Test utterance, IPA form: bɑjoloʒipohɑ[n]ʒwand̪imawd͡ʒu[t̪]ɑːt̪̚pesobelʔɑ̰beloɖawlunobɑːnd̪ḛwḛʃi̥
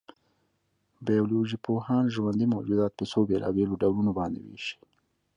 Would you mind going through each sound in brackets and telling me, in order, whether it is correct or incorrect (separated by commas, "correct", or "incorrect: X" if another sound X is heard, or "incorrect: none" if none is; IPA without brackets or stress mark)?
correct, incorrect: d̪